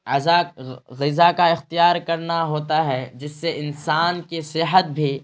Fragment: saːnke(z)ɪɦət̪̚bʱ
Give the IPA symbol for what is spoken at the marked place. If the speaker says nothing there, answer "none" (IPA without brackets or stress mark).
s